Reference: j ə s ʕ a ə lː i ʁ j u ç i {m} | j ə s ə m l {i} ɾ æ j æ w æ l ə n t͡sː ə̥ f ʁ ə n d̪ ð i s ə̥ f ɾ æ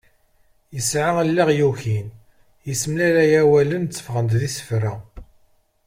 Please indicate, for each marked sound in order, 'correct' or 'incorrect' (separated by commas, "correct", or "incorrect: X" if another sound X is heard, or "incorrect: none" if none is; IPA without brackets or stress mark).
incorrect: n, incorrect: æ